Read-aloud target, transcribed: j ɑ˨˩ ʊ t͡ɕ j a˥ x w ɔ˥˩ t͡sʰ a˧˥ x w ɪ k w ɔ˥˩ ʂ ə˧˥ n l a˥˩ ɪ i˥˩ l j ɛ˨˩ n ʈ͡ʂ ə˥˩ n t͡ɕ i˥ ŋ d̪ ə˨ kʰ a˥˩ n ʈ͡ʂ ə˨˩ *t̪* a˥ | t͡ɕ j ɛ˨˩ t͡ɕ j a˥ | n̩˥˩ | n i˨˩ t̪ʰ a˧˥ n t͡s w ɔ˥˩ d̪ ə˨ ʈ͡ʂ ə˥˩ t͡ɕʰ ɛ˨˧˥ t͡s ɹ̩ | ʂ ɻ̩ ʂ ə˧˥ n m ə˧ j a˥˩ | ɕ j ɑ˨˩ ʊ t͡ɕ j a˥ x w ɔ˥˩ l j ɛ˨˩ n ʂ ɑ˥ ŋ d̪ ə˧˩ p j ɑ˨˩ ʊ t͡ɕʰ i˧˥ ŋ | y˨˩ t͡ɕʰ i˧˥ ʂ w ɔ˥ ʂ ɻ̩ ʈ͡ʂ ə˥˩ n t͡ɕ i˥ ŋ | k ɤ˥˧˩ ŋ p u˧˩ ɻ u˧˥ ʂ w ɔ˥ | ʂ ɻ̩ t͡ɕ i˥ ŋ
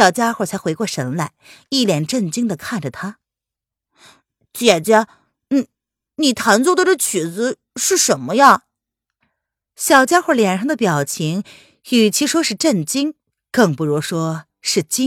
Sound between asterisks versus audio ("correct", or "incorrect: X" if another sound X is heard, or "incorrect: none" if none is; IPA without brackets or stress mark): incorrect: t̪ʰ